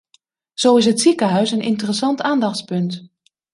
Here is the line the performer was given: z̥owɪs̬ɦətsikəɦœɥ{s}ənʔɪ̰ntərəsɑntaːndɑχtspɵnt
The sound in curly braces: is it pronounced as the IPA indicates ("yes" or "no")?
yes